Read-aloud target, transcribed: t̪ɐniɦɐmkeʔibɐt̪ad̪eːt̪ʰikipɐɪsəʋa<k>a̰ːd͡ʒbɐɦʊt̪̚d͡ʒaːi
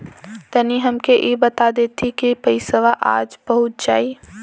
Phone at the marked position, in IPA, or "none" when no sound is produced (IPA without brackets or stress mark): ʔ